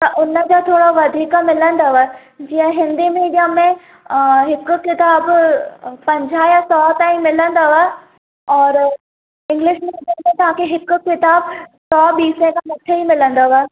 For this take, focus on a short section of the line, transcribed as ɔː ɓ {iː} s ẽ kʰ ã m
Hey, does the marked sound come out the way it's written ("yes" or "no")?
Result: yes